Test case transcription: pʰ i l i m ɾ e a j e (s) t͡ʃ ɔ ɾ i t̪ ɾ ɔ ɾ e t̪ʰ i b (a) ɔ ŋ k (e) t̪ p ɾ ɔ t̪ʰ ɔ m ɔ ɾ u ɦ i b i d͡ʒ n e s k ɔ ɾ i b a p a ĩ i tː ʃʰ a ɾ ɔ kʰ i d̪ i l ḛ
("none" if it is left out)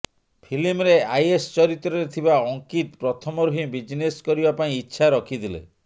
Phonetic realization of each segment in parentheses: s, a, i

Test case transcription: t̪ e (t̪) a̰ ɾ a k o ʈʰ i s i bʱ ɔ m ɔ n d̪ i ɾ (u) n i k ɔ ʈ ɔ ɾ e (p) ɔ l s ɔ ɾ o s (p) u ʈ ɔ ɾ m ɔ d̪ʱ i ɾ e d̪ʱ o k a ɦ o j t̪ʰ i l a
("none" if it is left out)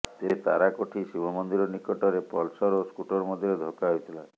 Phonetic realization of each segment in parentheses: t̪, ɔ, p, k

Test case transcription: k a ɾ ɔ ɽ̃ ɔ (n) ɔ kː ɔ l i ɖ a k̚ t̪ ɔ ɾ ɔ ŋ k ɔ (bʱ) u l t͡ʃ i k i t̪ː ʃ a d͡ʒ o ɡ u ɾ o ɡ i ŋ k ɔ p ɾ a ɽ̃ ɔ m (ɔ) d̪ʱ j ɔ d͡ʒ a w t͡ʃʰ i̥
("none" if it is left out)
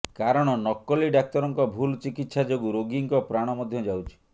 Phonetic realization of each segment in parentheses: n, bʱ, ɔ

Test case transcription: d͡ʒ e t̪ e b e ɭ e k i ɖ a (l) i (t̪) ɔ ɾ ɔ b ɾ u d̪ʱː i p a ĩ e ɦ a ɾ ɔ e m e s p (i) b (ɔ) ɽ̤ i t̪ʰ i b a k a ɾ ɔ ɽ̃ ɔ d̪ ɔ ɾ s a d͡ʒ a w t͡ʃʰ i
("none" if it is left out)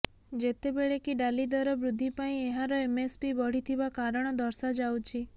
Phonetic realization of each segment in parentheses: l, d̪, i, ɔ

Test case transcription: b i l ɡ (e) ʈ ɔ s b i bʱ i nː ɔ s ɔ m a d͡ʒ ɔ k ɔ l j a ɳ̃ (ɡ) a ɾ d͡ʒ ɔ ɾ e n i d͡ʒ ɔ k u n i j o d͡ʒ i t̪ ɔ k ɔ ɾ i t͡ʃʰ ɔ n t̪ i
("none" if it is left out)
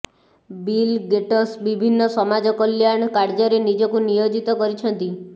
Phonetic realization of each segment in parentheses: e, k

